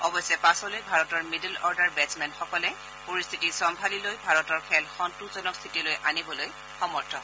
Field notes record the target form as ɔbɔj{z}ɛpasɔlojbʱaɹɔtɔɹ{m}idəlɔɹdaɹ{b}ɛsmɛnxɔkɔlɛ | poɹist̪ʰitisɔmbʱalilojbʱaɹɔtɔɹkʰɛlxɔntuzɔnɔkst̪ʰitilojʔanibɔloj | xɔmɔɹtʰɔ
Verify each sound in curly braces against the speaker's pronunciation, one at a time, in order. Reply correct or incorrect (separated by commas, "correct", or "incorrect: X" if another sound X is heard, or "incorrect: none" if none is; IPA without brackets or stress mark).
incorrect: s, correct, correct